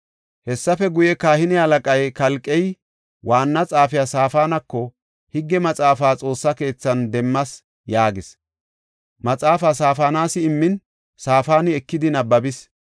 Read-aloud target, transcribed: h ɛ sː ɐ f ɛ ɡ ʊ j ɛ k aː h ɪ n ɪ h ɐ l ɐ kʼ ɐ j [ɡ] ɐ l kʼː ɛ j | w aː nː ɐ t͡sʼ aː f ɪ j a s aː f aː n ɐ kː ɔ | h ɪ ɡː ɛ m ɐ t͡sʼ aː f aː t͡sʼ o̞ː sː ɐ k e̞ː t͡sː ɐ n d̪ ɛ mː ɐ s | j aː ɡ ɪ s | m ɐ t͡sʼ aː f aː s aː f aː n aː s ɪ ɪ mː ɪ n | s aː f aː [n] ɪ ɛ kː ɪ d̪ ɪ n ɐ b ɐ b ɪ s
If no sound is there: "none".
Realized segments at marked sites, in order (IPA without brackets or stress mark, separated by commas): k, n